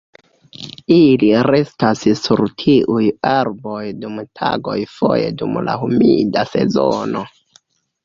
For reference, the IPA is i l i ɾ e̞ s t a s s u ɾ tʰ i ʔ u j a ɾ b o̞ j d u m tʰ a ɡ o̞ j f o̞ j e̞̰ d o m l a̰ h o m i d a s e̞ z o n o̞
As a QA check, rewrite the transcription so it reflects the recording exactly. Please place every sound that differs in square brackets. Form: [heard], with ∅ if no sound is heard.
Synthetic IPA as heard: i l i ɾ e̞ s t a s s u ɾ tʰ i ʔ u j a ɾ b o̞ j d u m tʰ a ɡ o̞ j f o̞ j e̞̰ d [u] m l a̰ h [u] m i d a s e̞ z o n o̞